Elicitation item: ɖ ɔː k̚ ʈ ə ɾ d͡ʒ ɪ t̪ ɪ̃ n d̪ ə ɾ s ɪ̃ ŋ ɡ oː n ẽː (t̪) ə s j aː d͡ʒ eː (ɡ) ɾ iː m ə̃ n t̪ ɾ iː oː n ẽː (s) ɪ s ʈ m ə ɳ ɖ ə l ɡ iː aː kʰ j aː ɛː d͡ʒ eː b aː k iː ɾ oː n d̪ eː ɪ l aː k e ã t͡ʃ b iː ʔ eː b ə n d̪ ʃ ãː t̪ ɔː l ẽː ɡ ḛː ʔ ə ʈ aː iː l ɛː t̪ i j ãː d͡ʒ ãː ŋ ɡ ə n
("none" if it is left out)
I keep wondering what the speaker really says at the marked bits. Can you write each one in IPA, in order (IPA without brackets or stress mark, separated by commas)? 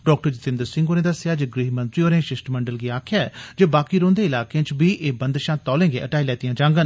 d̪, ɡ, ʃ